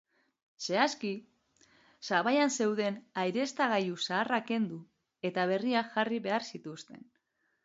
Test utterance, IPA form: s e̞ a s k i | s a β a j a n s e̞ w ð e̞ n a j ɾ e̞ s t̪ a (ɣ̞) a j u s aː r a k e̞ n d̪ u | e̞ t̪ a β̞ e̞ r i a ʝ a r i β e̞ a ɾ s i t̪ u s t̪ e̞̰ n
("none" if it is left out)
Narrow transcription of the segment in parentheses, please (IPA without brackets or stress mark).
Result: ɣ̞